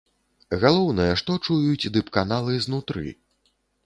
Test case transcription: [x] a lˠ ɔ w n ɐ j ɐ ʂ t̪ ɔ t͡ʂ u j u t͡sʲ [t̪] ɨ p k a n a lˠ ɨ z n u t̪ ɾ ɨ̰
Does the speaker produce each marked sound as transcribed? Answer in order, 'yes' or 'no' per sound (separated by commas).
no, no